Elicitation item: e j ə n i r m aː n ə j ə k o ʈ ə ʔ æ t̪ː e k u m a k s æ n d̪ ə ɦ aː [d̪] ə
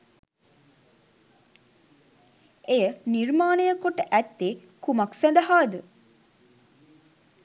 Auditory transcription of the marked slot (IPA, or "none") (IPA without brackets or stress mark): d̪